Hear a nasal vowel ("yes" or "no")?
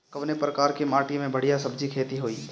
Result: yes